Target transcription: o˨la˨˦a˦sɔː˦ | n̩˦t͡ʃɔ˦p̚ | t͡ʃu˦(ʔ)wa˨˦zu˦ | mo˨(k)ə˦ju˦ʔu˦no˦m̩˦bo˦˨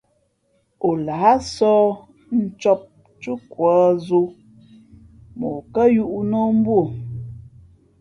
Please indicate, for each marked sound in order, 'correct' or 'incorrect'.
incorrect, correct

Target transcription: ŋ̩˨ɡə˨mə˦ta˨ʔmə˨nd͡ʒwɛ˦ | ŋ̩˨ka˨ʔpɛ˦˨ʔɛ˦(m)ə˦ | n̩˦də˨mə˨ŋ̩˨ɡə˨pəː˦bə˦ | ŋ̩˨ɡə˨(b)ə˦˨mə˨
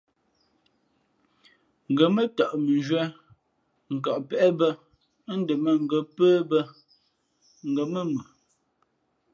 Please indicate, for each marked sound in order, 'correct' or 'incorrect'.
incorrect, incorrect

